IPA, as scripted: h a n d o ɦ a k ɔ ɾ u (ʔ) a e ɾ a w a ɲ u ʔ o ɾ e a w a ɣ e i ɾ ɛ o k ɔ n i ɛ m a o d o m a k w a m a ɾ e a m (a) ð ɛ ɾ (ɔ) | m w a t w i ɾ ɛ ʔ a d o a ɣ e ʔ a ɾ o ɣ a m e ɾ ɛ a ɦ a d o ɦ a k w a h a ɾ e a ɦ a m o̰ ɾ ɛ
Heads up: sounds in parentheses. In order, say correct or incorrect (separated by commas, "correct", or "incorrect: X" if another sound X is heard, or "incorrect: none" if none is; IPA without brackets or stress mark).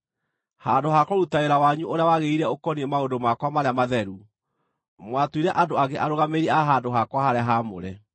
incorrect: t, correct, incorrect: u